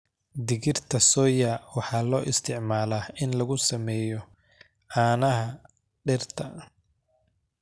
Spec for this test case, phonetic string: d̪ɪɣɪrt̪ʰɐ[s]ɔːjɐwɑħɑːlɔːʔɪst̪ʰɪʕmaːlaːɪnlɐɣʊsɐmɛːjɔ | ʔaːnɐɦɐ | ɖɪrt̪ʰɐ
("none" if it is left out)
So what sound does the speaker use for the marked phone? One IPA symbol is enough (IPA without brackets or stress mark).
s